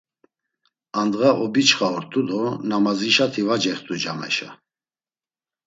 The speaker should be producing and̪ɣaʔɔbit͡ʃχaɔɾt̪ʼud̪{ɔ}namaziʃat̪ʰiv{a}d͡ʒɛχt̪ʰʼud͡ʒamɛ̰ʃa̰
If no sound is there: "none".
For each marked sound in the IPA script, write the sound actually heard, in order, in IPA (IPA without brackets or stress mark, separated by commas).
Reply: ɔ, a